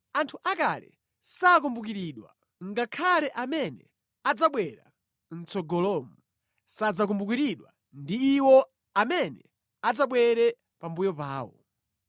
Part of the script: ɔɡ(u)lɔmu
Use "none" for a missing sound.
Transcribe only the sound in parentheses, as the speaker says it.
ɔ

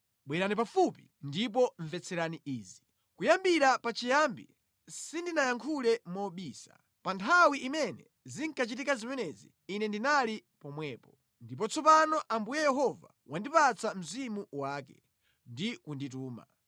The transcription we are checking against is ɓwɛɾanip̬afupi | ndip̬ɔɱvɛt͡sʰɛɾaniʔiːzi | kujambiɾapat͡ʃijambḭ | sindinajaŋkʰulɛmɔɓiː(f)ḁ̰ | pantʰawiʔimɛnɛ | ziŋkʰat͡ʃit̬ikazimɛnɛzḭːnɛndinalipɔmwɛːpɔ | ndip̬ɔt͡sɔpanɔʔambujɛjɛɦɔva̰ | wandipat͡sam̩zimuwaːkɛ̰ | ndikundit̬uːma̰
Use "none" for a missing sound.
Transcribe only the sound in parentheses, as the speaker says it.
s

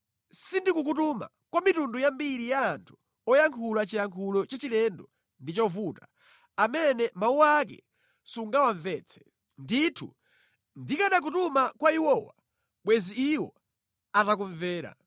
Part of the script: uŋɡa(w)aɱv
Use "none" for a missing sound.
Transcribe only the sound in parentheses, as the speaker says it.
w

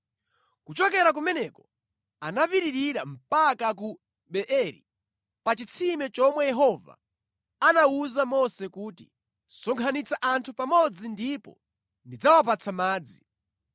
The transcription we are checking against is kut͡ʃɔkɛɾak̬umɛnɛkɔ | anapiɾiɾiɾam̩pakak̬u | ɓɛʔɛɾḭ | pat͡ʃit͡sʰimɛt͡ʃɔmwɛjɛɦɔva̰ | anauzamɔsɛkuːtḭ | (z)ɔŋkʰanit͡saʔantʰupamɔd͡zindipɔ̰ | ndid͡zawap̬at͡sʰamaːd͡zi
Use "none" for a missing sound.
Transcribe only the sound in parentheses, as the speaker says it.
s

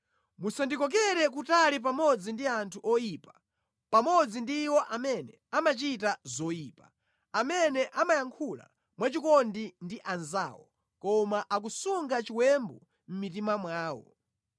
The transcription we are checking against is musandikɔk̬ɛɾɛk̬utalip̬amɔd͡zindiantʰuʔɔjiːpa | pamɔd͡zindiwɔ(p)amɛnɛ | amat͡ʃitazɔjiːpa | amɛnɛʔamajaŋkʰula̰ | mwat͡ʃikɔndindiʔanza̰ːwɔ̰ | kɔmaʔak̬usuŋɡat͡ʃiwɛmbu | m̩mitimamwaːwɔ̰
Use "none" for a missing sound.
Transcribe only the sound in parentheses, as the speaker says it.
ʔ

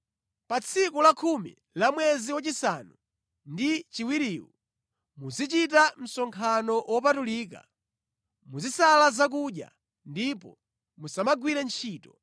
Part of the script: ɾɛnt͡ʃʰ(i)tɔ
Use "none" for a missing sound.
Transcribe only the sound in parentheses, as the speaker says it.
iː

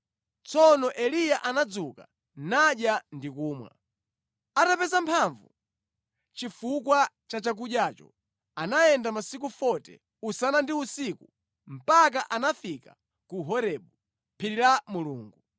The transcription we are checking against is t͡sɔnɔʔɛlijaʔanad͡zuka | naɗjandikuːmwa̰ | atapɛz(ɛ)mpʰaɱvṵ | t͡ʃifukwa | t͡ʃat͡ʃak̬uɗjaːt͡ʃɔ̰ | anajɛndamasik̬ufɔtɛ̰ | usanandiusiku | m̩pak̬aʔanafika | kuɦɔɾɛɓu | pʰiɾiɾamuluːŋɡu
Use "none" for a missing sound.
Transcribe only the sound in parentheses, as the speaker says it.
a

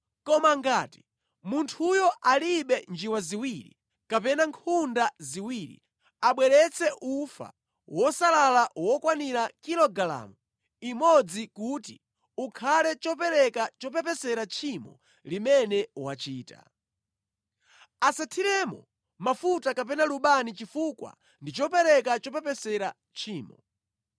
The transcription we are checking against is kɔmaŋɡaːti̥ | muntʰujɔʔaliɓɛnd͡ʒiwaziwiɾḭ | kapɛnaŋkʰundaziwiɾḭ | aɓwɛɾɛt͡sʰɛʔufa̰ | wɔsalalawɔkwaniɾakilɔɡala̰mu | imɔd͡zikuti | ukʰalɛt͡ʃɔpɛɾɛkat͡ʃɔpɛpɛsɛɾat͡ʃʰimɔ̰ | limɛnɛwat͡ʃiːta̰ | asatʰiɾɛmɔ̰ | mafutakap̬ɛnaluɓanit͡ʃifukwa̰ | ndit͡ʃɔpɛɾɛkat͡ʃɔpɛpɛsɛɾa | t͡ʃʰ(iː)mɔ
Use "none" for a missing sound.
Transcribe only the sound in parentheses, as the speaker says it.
iː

